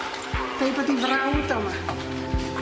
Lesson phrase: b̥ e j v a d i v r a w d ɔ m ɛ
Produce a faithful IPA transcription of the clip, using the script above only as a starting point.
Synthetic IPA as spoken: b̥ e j b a d i v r a w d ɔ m a